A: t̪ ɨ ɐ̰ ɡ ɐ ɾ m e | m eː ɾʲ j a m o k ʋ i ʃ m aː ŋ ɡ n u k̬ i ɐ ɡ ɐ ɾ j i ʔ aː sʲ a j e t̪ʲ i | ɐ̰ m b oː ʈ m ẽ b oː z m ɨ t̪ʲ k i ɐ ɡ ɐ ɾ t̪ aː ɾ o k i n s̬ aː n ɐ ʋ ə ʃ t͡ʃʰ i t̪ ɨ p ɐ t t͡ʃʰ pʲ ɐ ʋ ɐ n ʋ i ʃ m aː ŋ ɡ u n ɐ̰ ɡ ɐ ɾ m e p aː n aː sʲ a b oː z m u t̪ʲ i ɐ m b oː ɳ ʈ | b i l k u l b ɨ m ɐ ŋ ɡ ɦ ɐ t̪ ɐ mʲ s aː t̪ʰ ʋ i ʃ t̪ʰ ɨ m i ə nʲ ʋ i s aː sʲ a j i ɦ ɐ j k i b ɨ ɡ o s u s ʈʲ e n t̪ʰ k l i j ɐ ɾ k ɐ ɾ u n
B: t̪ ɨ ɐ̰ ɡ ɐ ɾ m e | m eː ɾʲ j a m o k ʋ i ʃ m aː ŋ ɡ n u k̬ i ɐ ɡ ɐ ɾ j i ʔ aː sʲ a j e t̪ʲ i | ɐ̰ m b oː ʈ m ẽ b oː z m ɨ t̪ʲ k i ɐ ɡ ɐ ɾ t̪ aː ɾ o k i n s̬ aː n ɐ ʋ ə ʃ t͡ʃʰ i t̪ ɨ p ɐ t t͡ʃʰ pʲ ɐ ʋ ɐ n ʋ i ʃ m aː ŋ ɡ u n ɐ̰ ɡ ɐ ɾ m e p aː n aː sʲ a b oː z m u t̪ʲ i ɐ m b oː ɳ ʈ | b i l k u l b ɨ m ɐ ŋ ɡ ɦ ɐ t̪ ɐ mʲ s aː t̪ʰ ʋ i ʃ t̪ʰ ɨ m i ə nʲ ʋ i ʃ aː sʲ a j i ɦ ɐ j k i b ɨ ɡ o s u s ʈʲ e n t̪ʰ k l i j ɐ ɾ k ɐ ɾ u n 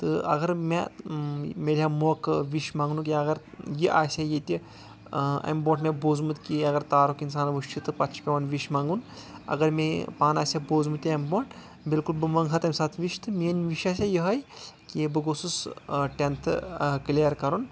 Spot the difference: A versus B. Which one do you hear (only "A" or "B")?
B